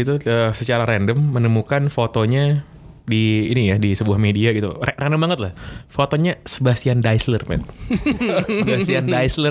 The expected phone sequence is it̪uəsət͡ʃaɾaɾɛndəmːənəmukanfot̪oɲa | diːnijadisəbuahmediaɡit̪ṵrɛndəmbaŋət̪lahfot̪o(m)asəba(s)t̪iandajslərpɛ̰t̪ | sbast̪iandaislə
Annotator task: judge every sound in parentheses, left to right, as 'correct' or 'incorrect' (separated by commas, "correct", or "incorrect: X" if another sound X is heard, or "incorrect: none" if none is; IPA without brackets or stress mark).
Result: incorrect: ɲ, correct